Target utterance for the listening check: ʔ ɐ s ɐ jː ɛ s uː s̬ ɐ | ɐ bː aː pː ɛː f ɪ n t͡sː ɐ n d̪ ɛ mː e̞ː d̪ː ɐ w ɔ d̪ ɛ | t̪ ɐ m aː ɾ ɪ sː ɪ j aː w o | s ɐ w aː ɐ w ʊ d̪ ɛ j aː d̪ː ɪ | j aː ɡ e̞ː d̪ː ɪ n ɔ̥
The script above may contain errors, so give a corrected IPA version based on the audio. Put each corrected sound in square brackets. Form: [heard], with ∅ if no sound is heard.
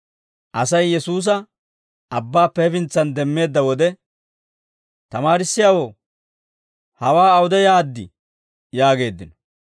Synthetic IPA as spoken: ʔ ɐ s ɐ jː ɛ s uː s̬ ɐ | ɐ bː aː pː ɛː f ɪ n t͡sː ɐ n d̪ ɛ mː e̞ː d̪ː ɐ w ɔ d̪ ɛ | t̪ ɐ m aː ɾ ɪ sː ɪ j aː w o | [h] ɐ w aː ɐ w ʊ d̪ ɛ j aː d̪ː ɪ | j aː ɡ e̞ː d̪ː ɪ n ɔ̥